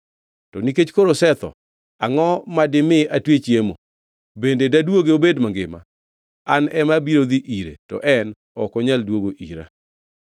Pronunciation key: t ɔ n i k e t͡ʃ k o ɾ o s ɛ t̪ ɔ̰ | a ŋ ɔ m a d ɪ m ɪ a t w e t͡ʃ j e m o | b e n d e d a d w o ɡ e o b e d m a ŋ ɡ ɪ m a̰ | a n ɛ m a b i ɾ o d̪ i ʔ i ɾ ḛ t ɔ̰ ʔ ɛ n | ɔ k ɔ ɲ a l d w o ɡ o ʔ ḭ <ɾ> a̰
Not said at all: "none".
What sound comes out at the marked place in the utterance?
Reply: ɾ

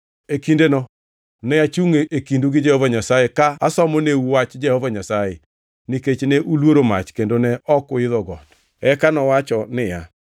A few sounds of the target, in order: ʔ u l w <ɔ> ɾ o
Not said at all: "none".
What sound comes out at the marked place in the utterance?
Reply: o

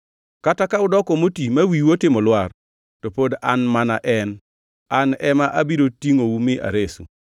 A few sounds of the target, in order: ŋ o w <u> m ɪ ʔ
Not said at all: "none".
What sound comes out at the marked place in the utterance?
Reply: u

